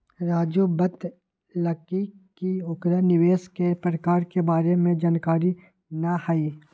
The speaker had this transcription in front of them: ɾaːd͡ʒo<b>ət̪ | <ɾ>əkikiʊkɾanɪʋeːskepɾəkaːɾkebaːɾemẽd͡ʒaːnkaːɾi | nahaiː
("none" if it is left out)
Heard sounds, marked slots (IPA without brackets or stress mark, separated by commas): b, l